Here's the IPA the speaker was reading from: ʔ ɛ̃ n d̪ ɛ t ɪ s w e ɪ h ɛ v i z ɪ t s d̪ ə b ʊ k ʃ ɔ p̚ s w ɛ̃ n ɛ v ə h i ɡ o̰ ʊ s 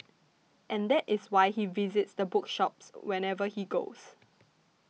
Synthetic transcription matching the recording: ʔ ɛ̃ n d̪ ɛ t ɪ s w a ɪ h i v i z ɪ t s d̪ ə b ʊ k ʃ ɔ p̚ s w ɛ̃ n ɛ v ə h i ɡ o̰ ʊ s